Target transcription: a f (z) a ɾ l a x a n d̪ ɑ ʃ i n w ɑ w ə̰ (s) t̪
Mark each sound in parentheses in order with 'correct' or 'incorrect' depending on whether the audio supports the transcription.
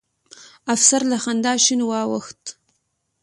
incorrect: s, incorrect: x

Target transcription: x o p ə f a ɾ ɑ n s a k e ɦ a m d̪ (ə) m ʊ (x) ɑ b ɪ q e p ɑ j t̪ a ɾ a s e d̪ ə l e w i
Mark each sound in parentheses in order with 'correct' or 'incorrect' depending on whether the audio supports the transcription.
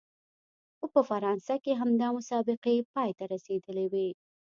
incorrect: ɑ, incorrect: s

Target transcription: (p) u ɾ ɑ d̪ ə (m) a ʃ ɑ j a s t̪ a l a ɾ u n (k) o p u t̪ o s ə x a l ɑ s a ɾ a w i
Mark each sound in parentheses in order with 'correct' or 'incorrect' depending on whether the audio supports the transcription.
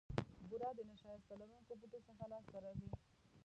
incorrect: b, incorrect: n, correct

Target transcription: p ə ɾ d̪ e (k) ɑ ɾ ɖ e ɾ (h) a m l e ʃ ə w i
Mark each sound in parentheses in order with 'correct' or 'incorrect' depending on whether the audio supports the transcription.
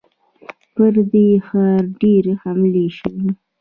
incorrect: x, correct

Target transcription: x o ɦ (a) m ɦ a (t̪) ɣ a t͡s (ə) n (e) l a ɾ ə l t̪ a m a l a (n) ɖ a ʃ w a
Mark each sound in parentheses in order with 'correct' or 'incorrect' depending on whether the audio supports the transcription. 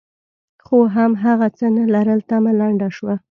correct, incorrect: none, correct, incorrect: a, incorrect: ɳ

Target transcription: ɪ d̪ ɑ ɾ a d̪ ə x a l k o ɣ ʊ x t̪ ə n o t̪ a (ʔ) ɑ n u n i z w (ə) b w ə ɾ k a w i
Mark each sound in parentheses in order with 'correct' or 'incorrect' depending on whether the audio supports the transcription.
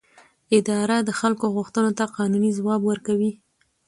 incorrect: q, incorrect: ɑ

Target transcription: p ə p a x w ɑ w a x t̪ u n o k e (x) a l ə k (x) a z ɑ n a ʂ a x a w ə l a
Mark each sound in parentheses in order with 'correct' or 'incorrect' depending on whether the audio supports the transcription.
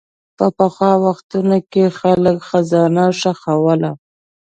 correct, correct

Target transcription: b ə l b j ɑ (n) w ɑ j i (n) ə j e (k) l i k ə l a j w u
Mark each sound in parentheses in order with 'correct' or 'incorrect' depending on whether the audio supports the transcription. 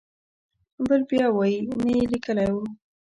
incorrect: none, correct, incorrect: none

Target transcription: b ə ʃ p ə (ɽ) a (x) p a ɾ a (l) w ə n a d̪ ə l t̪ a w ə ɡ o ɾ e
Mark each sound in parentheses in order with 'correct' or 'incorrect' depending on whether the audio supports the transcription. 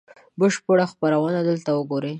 correct, correct, incorrect: none

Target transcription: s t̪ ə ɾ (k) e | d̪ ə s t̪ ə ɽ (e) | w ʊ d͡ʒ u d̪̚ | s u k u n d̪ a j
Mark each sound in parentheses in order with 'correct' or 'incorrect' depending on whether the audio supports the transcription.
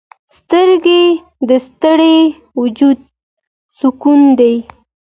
incorrect: ɡ, correct

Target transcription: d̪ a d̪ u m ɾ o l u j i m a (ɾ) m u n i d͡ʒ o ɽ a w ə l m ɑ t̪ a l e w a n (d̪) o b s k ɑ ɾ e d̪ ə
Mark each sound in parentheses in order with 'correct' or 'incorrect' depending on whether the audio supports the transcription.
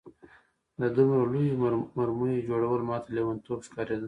correct, incorrect: t̪

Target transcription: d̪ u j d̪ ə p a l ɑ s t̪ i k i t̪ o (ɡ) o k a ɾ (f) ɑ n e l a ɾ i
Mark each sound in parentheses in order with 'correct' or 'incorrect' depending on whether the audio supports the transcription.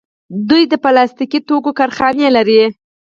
incorrect: k, incorrect: x

